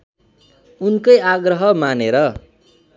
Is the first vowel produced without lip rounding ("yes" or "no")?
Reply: no